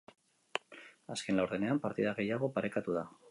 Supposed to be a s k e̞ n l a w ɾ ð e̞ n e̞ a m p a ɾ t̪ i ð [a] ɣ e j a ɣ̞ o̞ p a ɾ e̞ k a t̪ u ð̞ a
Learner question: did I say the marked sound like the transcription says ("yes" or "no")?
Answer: yes